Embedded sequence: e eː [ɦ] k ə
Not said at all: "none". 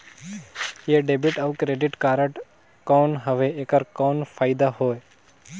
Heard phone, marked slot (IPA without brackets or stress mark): none